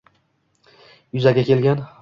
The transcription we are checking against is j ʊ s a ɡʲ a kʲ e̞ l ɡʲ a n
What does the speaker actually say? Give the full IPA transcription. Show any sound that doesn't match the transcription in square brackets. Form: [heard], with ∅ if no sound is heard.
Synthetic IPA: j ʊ [z] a ɡʲ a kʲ e̞ l ɡʲ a n